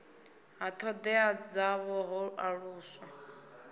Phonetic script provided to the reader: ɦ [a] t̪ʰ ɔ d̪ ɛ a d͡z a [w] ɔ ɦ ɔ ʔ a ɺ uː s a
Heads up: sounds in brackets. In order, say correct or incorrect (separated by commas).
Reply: correct, incorrect